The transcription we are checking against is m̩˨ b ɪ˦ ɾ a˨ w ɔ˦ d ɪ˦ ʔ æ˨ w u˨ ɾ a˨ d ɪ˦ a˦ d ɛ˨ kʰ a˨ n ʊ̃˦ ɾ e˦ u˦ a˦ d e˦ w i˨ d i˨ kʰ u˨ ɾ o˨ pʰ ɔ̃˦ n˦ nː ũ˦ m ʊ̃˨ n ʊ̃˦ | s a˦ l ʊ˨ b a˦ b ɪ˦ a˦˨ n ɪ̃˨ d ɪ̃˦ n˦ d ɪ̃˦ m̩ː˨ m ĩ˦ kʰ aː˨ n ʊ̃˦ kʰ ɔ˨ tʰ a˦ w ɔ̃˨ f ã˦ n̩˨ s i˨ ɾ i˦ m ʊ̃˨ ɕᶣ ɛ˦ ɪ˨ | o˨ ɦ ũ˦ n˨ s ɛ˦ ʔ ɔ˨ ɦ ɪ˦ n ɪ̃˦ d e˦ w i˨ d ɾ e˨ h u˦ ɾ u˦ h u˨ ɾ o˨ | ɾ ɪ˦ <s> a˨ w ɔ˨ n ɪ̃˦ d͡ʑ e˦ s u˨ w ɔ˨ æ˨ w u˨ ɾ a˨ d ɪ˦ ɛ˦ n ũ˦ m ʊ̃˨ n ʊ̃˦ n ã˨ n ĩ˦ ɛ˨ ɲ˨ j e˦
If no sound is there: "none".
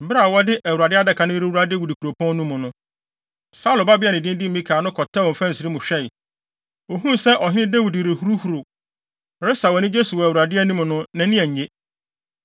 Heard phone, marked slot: s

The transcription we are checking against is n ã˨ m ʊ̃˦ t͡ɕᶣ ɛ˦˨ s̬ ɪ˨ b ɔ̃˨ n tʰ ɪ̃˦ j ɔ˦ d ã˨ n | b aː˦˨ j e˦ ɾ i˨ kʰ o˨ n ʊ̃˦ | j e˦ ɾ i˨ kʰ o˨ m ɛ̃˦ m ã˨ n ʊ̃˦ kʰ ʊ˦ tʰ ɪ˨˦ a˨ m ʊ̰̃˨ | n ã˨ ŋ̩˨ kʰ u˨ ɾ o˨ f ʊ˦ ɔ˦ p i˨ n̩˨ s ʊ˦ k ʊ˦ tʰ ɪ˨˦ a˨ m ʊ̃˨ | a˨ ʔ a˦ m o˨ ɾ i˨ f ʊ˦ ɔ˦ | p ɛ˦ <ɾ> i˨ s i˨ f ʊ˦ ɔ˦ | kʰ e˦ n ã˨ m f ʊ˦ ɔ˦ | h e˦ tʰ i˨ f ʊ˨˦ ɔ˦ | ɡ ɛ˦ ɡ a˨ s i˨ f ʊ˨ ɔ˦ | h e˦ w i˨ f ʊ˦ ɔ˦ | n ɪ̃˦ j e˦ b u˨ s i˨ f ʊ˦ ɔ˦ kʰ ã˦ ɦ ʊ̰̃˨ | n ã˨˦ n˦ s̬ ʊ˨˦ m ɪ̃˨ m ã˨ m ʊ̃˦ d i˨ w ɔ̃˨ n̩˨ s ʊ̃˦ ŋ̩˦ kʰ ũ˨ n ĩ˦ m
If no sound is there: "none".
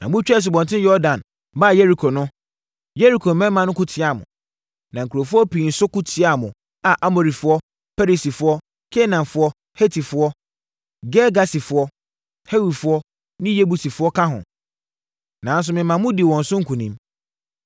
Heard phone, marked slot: ɾ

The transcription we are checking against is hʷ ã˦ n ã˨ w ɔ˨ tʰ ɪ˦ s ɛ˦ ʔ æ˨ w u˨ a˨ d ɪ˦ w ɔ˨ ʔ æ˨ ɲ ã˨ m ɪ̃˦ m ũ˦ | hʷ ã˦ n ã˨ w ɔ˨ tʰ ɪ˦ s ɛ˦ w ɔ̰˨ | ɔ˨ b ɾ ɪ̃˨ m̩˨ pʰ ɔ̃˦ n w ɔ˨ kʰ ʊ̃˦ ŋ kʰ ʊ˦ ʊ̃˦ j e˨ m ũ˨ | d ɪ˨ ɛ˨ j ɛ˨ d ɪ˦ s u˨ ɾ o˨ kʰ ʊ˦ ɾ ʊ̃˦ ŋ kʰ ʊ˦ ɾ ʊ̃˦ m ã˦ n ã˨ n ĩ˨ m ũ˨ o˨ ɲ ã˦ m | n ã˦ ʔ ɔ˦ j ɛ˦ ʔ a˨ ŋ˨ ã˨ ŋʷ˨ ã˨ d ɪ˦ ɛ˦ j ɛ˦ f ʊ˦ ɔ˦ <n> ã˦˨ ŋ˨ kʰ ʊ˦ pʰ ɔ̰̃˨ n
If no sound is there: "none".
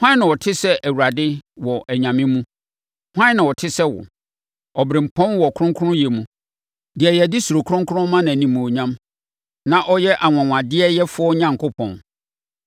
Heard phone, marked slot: ɲ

